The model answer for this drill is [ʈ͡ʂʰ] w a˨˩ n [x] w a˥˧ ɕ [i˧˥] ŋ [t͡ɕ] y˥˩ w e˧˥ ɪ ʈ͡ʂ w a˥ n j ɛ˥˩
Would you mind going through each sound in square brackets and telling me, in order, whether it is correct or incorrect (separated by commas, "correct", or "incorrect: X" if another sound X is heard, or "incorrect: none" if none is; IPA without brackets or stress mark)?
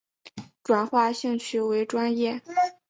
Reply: incorrect: ʈ͡ʂ, correct, incorrect: i˥˧, incorrect: t͡ɕʰ